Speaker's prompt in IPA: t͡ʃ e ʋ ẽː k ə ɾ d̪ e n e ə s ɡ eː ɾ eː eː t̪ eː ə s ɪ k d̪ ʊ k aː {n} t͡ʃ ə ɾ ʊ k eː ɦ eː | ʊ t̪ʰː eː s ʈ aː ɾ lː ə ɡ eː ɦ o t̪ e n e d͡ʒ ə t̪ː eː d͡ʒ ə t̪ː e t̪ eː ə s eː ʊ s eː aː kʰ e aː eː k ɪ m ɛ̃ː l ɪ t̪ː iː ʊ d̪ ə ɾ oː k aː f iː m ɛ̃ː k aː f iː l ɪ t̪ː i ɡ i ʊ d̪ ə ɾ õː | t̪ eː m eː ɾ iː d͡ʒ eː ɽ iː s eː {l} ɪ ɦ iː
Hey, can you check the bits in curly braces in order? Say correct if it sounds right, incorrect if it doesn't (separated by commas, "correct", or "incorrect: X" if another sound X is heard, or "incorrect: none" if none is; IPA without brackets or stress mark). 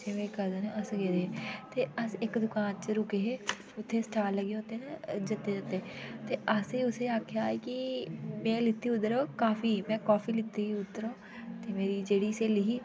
correct, correct